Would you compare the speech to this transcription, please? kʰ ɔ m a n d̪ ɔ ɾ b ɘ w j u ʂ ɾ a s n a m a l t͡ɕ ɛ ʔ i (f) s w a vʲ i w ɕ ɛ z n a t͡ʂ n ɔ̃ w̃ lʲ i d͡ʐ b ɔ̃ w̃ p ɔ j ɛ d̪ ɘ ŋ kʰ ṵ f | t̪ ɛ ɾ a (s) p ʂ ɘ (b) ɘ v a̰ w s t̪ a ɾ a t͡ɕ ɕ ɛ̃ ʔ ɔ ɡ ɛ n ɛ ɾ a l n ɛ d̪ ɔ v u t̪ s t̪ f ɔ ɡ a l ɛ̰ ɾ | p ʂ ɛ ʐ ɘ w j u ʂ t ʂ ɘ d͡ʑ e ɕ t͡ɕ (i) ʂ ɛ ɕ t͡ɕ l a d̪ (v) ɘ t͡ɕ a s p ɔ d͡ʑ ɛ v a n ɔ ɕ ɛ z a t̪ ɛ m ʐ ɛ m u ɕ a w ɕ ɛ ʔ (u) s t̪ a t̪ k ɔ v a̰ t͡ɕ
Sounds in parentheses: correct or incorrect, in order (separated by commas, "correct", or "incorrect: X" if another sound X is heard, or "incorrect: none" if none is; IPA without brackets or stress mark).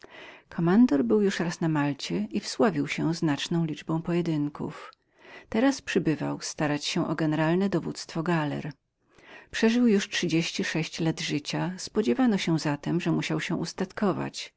correct, correct, correct, correct, incorrect: ʐ, correct